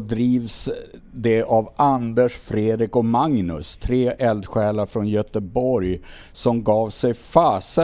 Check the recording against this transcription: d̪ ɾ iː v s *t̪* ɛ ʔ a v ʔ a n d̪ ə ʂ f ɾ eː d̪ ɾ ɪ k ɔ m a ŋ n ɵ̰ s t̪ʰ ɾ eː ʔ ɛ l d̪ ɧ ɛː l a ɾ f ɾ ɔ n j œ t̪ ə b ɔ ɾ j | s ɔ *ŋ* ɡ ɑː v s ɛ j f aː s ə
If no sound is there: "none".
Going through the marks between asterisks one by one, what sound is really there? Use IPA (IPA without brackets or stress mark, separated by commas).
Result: d̪, m